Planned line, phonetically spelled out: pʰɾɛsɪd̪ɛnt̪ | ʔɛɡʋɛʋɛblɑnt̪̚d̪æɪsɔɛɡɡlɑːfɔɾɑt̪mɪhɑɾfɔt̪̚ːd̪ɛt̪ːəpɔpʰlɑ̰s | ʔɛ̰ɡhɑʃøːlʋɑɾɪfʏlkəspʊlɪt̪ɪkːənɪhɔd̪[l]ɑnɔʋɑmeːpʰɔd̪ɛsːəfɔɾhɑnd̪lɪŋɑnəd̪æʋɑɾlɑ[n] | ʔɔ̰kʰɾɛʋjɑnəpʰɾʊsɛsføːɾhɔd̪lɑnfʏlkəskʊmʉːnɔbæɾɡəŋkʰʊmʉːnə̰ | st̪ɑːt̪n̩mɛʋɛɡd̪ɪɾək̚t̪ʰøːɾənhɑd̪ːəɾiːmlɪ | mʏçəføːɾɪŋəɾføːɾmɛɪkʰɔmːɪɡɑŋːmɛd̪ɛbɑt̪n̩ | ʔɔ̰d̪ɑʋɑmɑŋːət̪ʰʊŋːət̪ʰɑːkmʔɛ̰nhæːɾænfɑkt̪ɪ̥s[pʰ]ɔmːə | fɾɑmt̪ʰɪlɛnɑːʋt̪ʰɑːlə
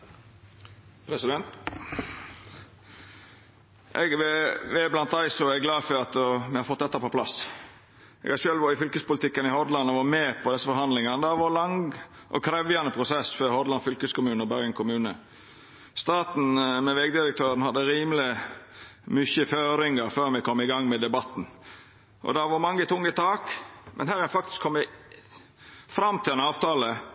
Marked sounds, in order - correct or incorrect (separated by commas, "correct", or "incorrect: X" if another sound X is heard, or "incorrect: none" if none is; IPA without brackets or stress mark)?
correct, incorrect: ŋ, incorrect: kʰ